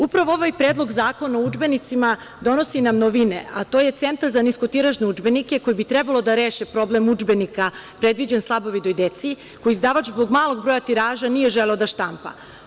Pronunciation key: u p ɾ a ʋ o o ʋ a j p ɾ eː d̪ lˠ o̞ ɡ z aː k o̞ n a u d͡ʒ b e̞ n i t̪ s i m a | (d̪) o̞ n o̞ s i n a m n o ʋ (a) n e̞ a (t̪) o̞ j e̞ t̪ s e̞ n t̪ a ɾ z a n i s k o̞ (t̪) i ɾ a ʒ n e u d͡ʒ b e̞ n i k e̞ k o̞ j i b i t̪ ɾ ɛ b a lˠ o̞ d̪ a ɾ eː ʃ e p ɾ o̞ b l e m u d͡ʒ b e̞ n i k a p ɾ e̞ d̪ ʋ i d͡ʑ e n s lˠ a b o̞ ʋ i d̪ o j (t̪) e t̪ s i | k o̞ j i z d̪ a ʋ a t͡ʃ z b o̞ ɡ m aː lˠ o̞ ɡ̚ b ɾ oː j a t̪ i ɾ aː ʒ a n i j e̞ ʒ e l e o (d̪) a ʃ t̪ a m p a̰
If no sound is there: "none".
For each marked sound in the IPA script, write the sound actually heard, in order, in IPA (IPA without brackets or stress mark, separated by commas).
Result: d̪, i, t̪, t̪, d̪, d̪